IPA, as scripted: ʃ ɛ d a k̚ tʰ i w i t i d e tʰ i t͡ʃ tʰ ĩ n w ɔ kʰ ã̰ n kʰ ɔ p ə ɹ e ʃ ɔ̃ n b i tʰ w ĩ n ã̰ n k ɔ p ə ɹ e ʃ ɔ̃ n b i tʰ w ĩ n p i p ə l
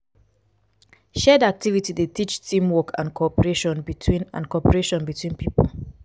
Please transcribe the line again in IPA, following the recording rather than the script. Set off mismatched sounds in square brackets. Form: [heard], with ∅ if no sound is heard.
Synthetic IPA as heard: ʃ ɛ d a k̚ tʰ i [v] i t i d e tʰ i t͡ʃ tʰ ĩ [m] w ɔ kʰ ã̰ n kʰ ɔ p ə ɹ e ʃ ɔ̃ n b i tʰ w ĩ n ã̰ n k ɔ p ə ɹ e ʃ ɔ̃ n b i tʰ w ĩ n p i p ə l